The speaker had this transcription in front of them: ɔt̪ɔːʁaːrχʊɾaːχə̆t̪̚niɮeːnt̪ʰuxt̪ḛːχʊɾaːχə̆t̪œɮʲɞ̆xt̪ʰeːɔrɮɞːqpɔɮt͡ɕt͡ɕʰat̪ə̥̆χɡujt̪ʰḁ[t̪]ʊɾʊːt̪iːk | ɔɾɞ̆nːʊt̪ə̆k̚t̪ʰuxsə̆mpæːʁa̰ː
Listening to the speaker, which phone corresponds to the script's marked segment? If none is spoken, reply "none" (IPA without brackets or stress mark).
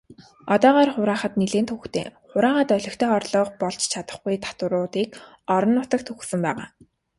t̪